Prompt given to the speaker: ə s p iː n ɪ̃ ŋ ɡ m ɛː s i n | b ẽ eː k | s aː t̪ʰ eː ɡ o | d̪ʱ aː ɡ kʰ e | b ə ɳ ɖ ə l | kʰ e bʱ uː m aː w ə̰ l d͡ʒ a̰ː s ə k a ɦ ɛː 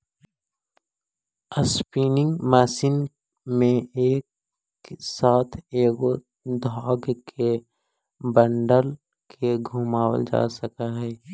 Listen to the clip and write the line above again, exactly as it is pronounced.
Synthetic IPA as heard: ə s p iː n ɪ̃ ŋ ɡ m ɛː s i n | m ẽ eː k | s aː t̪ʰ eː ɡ o | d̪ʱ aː ɡ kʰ e | b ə ɳ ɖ ə l | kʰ e ɡʱ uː m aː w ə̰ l d͡ʒ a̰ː s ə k a ɦ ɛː